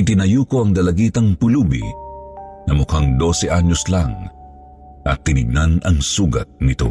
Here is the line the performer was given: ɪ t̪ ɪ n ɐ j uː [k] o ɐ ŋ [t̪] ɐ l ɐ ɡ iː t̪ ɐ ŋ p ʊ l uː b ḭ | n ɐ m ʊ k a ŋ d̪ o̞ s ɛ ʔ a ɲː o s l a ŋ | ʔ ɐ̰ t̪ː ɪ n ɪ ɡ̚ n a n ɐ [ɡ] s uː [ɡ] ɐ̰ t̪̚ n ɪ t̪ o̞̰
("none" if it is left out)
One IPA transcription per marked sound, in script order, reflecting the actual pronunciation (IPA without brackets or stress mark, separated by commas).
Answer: k, d̪, ŋ, ɡ